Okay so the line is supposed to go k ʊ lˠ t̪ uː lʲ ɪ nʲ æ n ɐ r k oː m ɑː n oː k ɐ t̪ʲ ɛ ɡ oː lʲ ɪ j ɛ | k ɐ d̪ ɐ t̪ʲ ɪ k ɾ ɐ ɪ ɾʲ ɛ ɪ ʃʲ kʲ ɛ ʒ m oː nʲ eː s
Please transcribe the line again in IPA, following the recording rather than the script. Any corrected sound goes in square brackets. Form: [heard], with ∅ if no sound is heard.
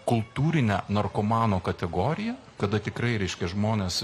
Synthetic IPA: k ʊ lˠ t̪ uː [ɾʲ] ɪ nʲ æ n ɐ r k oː m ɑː n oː k ɐ t̪ʲ ɛ ɡ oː [ɾʲ] ɪ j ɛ | k ɐ d̪ ɐ t̪ʲ ɪ k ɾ ɐ ɪ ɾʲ ɛ ɪ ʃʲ kʲ ɛ ʒ m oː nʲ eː s